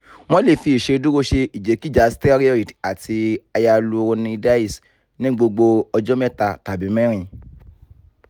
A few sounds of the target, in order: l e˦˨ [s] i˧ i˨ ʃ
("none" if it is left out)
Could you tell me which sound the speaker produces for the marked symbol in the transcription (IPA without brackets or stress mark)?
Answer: f